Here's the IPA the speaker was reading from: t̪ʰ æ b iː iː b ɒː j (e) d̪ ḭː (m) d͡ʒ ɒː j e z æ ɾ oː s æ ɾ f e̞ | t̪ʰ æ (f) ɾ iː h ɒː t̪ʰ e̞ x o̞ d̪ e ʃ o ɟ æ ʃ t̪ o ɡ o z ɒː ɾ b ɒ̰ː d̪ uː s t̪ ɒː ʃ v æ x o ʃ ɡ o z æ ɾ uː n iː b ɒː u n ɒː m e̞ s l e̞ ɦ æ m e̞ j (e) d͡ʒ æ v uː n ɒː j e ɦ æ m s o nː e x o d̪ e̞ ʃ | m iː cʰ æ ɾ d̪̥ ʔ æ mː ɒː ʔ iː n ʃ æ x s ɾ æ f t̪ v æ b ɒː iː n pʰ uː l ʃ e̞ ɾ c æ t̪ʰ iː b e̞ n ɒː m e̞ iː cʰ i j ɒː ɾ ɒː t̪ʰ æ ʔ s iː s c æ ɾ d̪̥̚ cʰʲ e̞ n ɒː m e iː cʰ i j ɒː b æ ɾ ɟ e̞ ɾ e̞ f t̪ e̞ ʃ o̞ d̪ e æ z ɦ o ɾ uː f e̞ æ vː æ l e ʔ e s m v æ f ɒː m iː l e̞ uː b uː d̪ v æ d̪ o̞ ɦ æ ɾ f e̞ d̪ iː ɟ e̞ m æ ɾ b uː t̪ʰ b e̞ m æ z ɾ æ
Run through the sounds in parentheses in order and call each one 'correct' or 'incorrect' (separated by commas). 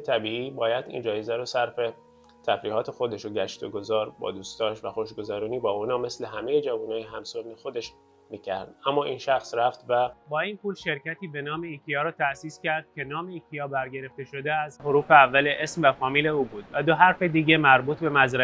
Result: incorrect, incorrect, correct, correct